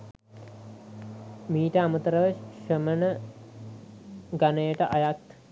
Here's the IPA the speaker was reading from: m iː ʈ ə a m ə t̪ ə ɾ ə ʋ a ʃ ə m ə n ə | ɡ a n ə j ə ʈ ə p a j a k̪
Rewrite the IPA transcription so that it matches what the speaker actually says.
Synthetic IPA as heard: m iː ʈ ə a m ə t̪ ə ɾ ə ʋ ə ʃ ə m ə n ə | ɡ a n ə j ə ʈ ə ʔ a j a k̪